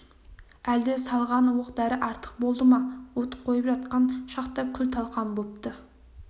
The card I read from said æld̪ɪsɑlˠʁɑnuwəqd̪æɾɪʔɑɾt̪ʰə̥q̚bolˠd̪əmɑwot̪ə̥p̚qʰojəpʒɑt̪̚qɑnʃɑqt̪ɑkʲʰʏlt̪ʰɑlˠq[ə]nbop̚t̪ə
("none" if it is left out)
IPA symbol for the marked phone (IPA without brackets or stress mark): ɑ